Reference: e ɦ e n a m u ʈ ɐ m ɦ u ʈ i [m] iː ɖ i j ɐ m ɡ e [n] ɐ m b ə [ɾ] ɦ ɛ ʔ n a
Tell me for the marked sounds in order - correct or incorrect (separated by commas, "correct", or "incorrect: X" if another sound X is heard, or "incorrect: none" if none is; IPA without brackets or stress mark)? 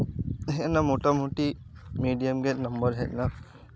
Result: correct, correct, correct